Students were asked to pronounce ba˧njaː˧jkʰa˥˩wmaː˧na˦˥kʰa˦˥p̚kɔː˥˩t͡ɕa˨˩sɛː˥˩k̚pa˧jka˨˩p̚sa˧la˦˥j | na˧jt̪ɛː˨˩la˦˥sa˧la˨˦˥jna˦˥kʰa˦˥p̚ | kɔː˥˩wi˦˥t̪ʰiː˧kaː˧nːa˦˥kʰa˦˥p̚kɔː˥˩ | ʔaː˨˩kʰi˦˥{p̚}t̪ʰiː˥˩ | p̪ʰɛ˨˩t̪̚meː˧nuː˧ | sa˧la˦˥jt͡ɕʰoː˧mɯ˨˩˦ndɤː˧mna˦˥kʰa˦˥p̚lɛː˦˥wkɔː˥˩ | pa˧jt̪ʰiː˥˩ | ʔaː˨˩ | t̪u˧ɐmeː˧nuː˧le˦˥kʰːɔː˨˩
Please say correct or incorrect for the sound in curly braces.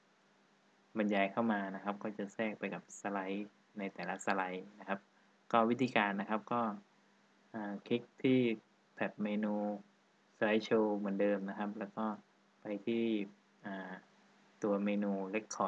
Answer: incorrect